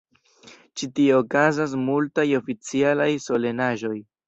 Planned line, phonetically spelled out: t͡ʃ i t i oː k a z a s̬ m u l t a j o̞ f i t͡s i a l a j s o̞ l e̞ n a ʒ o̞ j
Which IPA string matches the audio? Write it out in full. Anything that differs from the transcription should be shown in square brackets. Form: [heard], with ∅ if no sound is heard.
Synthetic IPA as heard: t͡ʃ i t i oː k a z a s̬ m u l t a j o̞ f i t͡s i a l a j s o̞ l e̞ n a ʒ o̞ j